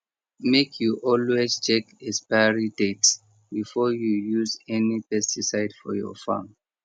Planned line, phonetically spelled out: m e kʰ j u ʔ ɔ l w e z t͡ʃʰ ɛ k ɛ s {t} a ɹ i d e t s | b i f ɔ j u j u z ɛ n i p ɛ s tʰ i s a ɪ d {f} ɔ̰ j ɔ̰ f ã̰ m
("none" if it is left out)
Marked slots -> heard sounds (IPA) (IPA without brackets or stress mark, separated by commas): p, f